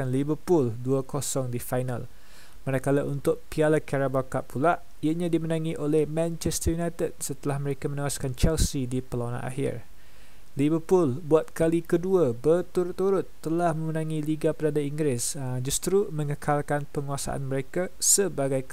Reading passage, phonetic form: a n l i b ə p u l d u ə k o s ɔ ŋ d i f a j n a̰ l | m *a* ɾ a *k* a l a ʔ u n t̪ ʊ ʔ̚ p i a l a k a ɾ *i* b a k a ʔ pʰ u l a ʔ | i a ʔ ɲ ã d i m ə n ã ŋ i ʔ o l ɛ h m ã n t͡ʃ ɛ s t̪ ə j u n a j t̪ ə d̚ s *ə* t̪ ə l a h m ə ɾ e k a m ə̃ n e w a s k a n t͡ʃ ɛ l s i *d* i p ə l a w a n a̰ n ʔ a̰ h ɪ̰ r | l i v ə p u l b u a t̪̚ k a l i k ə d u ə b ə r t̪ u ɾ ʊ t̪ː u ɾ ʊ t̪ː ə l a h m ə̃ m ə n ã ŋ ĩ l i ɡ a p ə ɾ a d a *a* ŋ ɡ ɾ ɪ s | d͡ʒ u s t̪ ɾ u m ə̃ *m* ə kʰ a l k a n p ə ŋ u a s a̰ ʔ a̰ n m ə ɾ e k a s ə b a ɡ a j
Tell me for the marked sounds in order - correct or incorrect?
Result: correct, correct, incorrect: a, correct, correct, incorrect: i, incorrect: ŋ

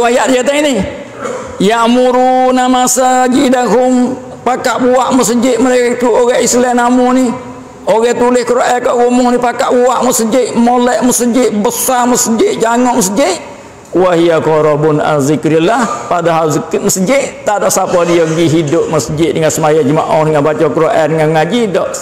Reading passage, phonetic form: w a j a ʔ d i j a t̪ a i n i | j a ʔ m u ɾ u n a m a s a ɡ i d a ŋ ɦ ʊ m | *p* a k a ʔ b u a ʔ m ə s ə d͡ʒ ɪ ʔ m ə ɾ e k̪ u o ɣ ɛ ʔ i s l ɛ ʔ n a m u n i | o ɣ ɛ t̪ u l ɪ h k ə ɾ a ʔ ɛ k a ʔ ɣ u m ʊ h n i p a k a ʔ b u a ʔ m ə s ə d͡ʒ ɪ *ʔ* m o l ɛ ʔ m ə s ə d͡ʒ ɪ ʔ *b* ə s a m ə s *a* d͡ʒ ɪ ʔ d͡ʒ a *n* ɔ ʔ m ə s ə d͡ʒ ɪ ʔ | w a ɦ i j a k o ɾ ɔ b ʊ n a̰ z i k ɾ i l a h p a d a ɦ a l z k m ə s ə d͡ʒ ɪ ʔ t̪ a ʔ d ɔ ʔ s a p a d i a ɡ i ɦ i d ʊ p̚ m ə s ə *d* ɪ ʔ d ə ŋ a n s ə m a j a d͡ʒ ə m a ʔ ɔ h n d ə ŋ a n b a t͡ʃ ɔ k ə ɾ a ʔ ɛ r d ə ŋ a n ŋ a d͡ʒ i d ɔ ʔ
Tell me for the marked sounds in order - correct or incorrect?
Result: correct, correct, correct, incorrect: ə, incorrect: ŋ, incorrect: d͡ʒ

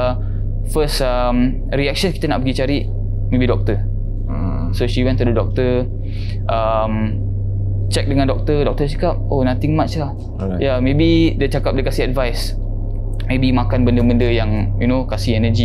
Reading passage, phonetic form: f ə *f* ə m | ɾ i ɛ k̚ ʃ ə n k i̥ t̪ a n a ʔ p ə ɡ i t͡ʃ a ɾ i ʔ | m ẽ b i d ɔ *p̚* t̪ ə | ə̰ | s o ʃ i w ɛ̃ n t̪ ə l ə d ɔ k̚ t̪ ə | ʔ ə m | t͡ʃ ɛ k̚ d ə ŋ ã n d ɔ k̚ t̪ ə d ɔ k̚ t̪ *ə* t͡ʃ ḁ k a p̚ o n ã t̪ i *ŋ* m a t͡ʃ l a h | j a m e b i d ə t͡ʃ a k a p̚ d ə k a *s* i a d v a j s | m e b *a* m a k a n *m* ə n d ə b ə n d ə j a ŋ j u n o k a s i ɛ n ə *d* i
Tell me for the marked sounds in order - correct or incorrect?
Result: incorrect: s, incorrect: k̚, correct, correct, correct, incorrect: i, incorrect: b, incorrect: d͡ʒ

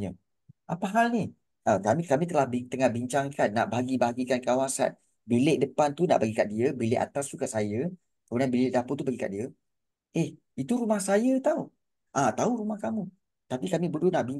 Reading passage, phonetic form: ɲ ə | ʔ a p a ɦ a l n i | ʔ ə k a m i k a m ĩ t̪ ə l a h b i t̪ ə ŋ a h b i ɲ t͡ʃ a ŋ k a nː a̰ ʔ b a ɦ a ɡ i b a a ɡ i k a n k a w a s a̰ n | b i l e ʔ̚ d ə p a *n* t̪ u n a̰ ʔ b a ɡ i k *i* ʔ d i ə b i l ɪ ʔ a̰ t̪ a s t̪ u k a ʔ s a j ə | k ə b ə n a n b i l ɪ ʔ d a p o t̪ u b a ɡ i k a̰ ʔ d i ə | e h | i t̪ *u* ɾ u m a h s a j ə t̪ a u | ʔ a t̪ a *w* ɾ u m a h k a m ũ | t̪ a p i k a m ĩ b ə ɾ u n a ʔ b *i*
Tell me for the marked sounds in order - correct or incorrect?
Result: correct, incorrect: a, correct, incorrect: u, correct

